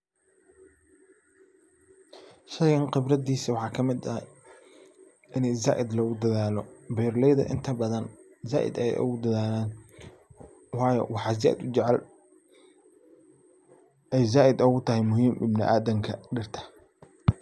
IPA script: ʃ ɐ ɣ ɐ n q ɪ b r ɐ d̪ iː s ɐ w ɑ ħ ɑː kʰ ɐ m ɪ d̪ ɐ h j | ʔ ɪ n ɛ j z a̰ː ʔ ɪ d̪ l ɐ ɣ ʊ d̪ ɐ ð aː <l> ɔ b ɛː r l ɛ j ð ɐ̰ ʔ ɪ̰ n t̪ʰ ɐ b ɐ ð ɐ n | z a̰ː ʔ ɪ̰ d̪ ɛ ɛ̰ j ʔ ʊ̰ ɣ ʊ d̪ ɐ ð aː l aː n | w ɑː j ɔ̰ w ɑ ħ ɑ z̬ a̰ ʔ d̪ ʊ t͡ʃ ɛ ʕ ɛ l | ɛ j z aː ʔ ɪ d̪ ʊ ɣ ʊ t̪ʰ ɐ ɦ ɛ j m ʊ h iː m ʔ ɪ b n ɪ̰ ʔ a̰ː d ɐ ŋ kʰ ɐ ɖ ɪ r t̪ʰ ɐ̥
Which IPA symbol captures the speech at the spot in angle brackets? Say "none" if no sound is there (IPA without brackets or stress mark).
l